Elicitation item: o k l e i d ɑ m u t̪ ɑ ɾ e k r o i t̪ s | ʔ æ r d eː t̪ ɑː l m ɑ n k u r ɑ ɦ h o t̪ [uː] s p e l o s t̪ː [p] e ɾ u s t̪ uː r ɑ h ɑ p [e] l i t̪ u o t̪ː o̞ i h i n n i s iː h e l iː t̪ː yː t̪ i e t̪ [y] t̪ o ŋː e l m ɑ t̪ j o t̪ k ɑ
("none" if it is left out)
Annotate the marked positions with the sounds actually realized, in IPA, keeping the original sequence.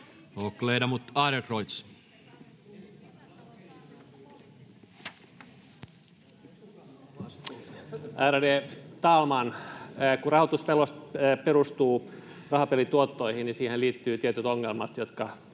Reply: u, p, e, y

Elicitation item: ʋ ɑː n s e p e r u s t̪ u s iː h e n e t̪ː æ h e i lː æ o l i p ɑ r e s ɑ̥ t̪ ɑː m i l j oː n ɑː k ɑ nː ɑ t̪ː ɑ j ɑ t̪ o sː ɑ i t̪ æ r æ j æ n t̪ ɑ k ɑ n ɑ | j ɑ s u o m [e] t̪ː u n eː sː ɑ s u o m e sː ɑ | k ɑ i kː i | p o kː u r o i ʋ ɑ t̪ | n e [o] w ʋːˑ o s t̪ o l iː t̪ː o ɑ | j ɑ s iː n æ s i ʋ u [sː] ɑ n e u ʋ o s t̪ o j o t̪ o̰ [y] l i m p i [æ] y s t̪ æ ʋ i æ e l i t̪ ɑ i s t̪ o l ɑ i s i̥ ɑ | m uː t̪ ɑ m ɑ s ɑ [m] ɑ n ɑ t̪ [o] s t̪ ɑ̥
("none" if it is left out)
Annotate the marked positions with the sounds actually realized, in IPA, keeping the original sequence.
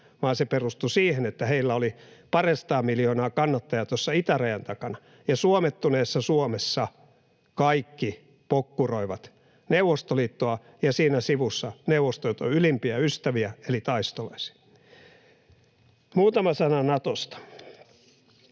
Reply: e, u, sː, y, æ, n, o

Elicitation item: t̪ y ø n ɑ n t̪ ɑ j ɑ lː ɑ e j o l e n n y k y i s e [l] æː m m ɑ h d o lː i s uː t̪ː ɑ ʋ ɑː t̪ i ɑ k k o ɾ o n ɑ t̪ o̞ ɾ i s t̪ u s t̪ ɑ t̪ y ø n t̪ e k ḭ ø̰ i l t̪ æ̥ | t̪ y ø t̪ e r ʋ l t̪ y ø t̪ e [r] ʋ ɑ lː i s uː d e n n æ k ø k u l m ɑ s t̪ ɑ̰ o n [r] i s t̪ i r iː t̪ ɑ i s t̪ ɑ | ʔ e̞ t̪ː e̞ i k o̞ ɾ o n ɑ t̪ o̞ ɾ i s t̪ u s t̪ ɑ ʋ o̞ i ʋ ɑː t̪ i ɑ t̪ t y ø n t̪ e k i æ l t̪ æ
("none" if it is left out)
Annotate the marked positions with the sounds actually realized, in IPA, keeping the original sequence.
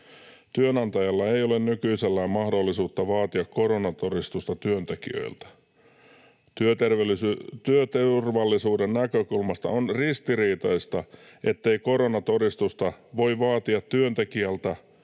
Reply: lː, r, r

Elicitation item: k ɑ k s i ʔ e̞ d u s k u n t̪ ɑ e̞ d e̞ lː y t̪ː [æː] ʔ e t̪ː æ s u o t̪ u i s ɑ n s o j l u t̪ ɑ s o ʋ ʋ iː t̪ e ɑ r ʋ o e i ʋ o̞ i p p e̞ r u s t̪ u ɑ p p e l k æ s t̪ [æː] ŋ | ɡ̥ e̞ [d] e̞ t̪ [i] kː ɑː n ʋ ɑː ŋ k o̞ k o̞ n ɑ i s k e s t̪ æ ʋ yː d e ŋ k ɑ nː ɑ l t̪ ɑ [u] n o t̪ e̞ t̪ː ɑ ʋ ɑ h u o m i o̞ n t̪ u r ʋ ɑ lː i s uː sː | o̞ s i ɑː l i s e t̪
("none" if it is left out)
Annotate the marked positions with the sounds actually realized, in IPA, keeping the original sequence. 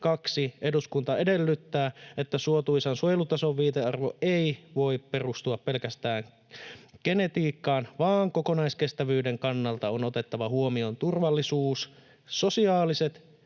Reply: æː, æː, n, iː, o

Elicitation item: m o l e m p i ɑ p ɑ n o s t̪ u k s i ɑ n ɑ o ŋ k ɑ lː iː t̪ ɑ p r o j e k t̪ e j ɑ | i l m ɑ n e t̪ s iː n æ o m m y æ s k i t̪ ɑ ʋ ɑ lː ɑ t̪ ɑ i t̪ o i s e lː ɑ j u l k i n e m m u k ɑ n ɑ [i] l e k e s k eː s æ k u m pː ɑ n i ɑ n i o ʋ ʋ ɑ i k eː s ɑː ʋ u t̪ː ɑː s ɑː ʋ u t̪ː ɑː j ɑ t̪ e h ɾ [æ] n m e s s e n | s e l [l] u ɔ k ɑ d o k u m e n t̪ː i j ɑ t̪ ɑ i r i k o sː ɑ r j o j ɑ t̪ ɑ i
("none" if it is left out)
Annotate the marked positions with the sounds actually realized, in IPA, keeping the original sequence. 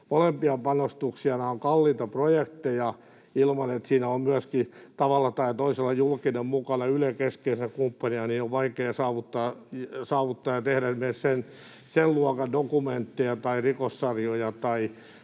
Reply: y, æ, l

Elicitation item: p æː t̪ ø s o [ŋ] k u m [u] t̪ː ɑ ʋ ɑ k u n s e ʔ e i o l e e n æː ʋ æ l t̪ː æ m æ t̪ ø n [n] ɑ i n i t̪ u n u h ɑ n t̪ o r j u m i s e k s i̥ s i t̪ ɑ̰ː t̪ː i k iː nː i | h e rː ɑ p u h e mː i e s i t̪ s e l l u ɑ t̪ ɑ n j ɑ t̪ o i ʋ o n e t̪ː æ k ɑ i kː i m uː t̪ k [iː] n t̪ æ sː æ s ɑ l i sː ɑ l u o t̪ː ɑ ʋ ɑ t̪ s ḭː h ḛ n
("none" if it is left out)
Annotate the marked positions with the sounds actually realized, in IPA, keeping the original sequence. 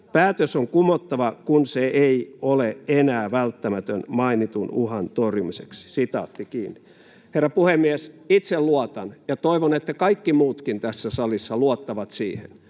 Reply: ŋ, o, m, i

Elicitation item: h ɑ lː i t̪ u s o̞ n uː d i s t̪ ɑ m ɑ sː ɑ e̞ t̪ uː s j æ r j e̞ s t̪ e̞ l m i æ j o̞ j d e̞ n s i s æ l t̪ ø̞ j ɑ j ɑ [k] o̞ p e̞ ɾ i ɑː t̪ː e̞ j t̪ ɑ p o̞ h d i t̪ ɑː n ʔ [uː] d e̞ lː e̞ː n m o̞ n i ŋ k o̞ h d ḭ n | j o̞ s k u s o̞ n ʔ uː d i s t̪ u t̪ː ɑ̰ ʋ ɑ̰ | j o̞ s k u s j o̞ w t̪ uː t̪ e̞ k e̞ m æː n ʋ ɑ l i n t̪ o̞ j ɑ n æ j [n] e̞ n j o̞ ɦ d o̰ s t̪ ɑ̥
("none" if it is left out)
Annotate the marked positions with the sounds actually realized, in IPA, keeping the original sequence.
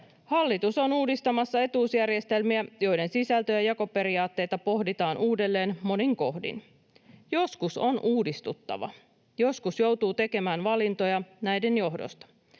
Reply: k, uː, d

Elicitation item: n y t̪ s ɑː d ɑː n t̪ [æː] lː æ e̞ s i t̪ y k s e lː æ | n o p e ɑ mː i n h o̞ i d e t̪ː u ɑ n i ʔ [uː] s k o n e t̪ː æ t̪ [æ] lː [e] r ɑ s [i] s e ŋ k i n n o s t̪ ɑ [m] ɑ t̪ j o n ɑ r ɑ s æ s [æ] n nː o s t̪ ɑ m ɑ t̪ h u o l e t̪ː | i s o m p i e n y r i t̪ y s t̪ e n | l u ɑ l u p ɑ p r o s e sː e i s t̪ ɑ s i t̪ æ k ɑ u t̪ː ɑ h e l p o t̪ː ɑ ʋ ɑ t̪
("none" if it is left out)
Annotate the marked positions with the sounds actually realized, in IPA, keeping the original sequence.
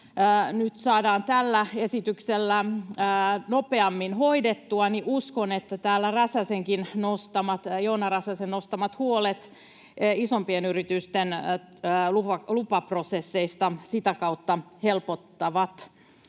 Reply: æ, u, æː, æ, æ, m, e

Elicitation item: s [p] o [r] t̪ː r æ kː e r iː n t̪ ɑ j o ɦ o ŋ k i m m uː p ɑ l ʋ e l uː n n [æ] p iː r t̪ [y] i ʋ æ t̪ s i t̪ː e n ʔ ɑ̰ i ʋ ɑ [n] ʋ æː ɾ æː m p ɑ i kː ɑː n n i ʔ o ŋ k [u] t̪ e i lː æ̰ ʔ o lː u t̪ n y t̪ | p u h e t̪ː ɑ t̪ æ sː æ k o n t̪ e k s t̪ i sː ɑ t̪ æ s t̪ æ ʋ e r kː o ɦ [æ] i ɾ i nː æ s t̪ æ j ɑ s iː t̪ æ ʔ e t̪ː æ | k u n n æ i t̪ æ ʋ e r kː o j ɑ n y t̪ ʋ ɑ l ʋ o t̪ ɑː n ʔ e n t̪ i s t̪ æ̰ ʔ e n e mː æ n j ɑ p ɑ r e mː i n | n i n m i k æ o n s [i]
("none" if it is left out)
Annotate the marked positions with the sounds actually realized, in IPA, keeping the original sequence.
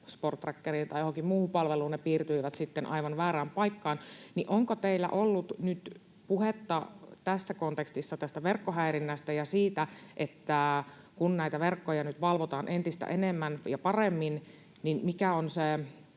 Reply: p, r, e, y, n, o, æ, e

